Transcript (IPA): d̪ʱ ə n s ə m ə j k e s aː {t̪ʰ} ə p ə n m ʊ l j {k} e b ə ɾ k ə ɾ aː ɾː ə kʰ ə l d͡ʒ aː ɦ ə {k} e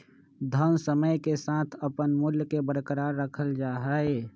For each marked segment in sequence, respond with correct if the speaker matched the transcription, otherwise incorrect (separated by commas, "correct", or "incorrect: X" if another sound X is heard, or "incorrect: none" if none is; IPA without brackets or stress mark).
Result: correct, correct, incorrect: none